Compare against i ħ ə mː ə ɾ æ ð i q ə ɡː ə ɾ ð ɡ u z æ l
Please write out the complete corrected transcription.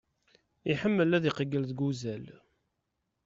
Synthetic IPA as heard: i ħ ə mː ə l æ ð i q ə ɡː ə l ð ɡ u z æ l